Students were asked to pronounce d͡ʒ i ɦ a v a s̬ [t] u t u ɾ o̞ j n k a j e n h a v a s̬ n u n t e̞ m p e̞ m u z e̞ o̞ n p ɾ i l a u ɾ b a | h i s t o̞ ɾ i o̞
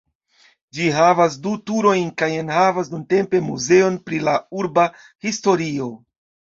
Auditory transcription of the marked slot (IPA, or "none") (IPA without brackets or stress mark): d